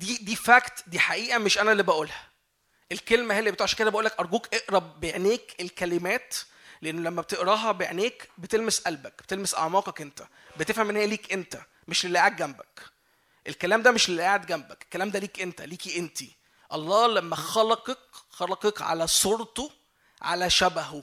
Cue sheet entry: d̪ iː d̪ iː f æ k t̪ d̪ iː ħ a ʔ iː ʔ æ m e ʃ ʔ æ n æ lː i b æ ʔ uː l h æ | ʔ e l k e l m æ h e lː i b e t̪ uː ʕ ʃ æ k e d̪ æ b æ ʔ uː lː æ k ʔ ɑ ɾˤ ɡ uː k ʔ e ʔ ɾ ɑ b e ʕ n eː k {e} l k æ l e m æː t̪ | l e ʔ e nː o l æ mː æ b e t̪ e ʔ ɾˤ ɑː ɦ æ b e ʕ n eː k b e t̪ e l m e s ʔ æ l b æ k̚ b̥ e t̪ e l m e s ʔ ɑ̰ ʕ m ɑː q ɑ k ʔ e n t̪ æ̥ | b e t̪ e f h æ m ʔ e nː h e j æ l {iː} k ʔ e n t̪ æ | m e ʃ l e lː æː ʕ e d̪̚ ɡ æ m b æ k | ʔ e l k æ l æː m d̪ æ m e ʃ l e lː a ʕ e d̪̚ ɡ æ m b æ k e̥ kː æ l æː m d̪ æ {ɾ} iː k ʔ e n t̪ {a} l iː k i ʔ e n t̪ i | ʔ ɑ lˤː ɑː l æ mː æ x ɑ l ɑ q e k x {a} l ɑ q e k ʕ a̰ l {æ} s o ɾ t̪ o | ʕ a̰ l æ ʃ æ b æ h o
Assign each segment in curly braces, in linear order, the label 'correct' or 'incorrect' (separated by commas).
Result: correct, correct, incorrect, incorrect, incorrect, correct